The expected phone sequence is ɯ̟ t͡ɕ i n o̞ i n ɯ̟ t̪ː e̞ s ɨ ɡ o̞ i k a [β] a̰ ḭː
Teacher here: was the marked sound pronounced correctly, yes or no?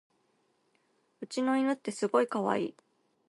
yes